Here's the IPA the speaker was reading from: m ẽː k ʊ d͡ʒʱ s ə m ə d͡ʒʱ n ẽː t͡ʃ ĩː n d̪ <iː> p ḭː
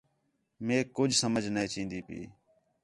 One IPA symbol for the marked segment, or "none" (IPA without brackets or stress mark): iː